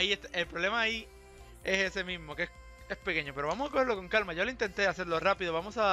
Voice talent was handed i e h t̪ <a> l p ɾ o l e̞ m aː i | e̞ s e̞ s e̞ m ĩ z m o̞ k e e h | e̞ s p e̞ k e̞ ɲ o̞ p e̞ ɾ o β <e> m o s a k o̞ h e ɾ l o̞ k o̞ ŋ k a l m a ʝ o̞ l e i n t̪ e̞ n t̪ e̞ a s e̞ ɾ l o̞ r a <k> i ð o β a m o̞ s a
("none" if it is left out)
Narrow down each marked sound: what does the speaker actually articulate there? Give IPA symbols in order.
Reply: e, a, p

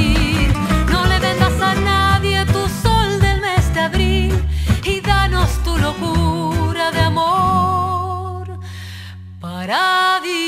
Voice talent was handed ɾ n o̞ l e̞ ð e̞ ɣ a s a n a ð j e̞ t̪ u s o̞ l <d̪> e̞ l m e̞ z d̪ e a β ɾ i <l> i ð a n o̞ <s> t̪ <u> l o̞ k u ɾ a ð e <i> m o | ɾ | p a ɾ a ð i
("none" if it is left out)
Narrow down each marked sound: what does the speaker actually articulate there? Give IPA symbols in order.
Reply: d̪, l, s, u, a

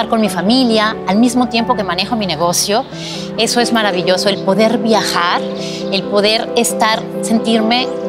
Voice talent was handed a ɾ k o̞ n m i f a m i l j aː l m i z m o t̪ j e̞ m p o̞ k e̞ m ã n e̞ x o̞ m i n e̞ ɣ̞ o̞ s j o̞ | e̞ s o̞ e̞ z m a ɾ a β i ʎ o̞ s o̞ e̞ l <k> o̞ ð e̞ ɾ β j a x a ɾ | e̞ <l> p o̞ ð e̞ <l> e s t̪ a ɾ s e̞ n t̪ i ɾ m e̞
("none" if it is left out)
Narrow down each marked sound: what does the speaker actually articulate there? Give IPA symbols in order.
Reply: p, l, ɾ

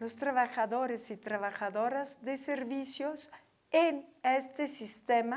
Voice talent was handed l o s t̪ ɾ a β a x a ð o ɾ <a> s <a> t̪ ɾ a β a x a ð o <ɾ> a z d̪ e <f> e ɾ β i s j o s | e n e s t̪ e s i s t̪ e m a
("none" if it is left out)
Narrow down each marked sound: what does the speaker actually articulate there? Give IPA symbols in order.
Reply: e, i, ɾ, s

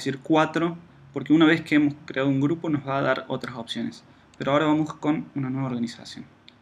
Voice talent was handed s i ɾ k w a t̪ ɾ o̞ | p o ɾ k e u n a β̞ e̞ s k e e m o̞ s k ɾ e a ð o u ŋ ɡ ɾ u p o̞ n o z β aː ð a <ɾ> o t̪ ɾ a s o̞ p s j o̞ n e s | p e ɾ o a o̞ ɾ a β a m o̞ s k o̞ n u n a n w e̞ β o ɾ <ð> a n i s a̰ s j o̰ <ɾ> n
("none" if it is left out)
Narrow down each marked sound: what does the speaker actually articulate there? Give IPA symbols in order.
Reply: ɾ, ɣ, none

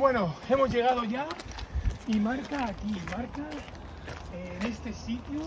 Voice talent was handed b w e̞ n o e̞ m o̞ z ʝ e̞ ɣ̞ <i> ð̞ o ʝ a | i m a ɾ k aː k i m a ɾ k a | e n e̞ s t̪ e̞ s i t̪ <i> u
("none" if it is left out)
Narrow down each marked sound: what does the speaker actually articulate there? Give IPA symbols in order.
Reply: a, j

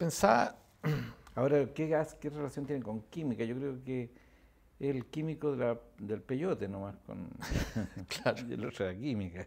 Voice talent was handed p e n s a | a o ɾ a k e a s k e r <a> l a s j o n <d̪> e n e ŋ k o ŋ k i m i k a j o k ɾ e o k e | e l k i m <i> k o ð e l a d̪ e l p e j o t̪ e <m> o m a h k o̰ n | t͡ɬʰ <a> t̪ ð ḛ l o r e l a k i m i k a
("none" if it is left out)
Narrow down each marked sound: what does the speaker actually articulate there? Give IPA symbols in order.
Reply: e, t̪, i, n, a

